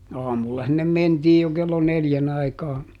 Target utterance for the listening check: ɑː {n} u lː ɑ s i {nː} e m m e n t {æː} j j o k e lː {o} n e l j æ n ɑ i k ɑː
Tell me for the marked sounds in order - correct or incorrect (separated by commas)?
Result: incorrect, correct, incorrect, correct